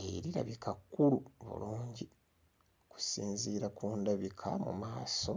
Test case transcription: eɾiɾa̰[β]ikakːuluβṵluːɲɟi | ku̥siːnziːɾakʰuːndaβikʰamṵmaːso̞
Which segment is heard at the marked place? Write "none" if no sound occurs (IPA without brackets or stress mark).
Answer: β